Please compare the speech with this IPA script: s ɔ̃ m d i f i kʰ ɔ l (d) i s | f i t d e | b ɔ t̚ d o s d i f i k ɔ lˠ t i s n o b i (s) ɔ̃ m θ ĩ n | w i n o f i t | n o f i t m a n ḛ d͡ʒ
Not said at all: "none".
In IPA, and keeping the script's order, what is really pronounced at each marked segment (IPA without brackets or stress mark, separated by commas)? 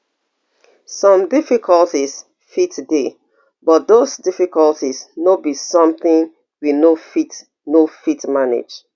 t, s